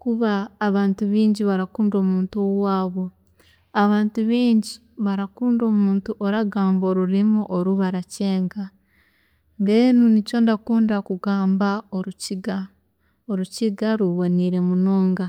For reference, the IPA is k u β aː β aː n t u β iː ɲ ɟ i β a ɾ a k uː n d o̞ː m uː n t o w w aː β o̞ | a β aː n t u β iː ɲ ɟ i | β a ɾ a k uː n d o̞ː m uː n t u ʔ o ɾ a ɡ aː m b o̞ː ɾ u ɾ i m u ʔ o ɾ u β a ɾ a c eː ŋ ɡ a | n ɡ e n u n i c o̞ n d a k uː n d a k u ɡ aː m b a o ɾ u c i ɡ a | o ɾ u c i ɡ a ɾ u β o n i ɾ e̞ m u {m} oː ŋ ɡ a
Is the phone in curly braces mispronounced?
yes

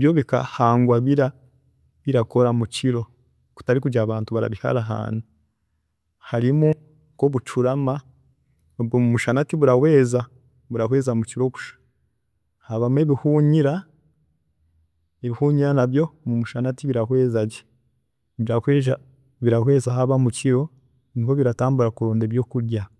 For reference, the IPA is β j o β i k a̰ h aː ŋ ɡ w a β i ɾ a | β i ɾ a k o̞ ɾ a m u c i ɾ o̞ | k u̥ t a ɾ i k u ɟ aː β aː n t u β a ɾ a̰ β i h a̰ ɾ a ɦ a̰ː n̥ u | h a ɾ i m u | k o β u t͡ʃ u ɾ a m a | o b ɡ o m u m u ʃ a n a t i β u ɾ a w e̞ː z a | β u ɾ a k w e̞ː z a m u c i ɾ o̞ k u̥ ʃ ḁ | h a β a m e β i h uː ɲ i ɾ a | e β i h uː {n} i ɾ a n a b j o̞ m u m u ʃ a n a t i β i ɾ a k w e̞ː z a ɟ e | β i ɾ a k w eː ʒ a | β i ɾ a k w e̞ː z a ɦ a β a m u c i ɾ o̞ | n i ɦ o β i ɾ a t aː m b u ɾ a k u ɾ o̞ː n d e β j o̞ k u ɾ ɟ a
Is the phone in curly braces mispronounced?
yes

